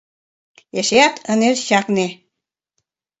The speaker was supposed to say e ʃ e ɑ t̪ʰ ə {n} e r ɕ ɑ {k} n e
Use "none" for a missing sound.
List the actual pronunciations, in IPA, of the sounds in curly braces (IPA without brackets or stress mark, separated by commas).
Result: n, k